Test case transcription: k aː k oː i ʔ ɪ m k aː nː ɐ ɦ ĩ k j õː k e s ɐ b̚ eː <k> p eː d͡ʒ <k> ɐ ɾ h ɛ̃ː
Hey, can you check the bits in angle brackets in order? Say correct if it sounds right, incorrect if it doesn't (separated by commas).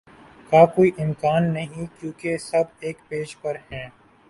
correct, incorrect